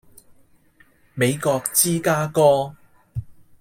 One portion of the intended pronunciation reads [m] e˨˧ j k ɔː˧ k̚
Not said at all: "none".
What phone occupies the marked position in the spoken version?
m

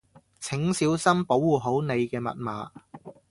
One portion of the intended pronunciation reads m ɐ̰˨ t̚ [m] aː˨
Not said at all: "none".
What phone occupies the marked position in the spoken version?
m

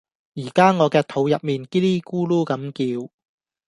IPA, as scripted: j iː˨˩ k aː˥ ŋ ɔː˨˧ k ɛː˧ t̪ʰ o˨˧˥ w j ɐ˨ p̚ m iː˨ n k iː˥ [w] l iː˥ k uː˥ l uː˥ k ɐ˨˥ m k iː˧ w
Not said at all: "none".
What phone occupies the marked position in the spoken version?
none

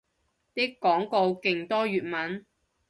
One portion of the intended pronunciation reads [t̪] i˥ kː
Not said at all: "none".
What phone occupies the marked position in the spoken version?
t̪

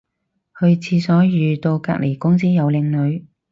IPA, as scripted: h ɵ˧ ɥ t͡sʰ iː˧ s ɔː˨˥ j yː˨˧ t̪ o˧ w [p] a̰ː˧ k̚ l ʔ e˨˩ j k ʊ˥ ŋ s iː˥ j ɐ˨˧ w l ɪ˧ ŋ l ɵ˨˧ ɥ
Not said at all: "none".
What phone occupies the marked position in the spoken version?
k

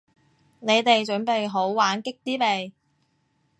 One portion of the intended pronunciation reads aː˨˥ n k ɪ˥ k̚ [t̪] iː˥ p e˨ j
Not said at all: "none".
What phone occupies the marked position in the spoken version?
t̪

